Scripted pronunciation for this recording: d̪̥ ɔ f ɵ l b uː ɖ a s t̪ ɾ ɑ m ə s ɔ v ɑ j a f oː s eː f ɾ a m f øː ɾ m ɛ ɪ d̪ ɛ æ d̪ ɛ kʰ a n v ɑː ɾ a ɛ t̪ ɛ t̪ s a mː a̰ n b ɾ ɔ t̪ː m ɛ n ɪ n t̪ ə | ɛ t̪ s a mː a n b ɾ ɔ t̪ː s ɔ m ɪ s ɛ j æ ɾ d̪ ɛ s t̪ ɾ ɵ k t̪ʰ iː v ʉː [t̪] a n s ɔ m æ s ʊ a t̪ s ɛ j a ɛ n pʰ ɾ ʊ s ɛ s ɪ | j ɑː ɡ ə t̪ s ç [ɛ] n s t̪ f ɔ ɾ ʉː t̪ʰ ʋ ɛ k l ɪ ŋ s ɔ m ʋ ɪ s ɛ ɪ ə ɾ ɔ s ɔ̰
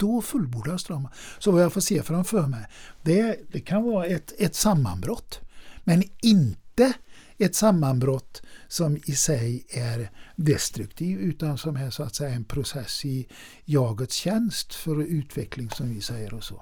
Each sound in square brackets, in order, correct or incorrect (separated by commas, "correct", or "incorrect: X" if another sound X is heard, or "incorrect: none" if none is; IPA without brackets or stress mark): correct, correct